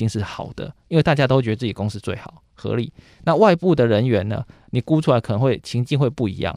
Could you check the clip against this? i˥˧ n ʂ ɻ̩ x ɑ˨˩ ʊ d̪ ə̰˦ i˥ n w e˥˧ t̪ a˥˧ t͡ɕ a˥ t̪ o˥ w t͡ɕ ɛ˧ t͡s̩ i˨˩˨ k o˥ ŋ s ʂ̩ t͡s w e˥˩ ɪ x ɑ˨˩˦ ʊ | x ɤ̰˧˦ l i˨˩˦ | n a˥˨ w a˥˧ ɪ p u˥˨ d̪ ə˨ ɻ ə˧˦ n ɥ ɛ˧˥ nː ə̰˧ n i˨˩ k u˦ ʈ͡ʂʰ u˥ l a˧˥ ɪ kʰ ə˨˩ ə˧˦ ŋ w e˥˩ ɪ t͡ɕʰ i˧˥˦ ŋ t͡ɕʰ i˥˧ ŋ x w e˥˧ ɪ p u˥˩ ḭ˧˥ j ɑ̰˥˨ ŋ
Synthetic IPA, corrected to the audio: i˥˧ ŋ ʂ ɻ̩ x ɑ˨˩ ʊ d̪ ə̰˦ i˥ n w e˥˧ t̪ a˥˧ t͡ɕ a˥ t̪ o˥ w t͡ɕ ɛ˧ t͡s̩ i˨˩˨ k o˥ ŋ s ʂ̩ t͡s w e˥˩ ɪ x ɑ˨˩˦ ʊ | x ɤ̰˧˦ l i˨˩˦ | n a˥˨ w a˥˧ ɪ p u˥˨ d̪ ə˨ ɻ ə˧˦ n ɥ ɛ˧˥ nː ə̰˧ n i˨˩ k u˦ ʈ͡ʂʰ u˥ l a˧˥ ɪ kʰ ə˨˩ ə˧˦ ŋ w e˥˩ ɪ t͡ɕʰ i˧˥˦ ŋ t͡ɕ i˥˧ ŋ x w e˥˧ ɪ p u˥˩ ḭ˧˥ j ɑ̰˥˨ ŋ